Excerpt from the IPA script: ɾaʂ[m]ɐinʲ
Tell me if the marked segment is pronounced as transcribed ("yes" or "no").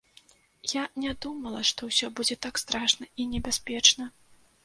no